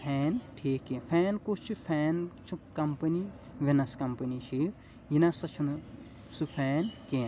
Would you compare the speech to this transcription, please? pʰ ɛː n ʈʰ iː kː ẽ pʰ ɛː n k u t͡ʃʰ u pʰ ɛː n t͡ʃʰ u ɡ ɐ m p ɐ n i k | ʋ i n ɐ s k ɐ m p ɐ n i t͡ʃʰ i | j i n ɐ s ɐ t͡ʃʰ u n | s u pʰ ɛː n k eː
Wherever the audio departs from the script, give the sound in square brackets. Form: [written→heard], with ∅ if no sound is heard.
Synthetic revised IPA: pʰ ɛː n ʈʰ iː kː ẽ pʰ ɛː n k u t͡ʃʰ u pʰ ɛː n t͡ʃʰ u [ɡ→k] ɐ m p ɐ n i [k→∅] | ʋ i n ɐ s k ɐ m p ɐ n i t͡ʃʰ i | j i n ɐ s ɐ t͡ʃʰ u n | s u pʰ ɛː n k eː